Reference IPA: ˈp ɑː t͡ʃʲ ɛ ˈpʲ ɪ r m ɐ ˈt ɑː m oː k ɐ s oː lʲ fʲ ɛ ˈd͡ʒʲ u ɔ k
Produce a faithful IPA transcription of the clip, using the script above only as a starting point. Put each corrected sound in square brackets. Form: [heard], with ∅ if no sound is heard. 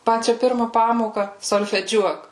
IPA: ˈp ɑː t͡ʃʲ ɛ ˈpʲ ɪ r m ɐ [ˈp] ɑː m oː k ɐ s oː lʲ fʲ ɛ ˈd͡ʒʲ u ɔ k